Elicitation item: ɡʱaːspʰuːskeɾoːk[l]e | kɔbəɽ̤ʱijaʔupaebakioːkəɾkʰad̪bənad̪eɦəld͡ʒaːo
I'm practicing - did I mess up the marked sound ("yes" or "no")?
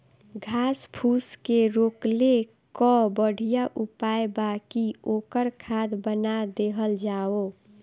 no